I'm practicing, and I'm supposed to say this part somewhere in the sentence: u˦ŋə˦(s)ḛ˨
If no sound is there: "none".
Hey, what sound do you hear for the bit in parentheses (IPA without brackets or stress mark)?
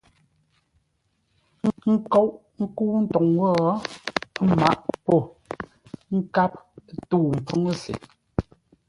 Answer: s